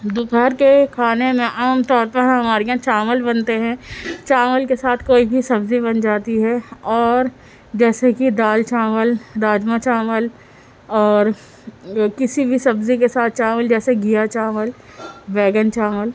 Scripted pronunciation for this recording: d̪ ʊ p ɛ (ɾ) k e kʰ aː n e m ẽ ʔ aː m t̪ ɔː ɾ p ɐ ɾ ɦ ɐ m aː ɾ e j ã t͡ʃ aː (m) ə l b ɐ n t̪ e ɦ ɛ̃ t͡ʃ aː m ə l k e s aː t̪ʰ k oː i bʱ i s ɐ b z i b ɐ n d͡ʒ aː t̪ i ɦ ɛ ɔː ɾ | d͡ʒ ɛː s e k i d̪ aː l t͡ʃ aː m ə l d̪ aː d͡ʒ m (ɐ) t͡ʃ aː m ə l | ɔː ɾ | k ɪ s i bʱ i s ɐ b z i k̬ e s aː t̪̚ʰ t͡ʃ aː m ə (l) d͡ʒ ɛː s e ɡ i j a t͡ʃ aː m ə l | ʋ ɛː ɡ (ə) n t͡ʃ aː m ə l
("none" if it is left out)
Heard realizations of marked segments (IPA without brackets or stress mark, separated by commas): ɾ, m, a, l, ə